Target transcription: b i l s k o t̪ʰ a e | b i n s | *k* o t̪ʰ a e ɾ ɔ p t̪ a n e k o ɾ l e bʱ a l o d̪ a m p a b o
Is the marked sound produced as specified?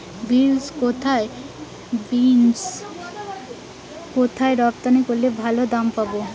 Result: yes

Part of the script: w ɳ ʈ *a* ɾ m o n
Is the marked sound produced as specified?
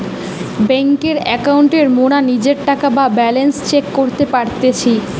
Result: no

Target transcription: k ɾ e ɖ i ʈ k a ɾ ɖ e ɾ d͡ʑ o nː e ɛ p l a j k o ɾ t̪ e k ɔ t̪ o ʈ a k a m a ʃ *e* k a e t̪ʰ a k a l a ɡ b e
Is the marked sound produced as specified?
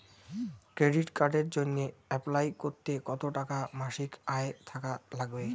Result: no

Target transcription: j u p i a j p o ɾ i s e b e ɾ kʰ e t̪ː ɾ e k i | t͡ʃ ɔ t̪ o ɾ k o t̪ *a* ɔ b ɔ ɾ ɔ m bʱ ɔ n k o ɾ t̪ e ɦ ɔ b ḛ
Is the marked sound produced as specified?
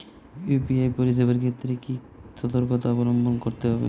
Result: yes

